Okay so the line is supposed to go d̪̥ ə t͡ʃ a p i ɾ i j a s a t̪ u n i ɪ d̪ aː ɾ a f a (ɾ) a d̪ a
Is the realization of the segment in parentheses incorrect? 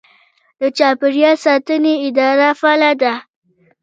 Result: yes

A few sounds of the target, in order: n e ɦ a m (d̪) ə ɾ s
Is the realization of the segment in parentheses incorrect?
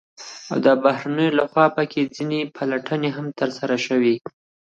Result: yes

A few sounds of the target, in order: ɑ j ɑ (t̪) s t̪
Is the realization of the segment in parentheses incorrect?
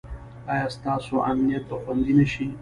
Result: yes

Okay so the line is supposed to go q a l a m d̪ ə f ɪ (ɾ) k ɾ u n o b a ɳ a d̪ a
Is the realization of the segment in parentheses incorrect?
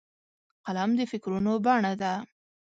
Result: yes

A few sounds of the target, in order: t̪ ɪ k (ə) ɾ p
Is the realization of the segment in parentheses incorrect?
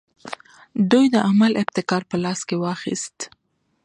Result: yes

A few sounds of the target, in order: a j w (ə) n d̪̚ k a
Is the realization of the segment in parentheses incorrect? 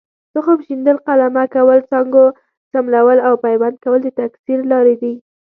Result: yes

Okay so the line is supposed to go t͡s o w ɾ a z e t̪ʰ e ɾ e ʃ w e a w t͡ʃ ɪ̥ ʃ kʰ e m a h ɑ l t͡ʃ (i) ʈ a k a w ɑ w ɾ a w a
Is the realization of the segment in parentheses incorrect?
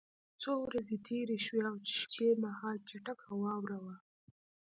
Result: yes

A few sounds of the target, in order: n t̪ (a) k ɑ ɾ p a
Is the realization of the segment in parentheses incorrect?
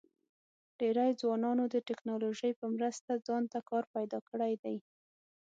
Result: no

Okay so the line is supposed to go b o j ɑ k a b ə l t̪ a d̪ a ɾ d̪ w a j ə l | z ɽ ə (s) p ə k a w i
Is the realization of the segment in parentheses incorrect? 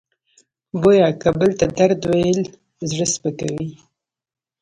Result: no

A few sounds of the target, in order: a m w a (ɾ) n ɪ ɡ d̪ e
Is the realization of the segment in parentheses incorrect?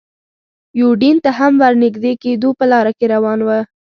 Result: no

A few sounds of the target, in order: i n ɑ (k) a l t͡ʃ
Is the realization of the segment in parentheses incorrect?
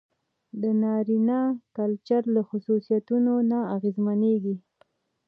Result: no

